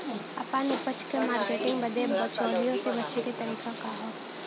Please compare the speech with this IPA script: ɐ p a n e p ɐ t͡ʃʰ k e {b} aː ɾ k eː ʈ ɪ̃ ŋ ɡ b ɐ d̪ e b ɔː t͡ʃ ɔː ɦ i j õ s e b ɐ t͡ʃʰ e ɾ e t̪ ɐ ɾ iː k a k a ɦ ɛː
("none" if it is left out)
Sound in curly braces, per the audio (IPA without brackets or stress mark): m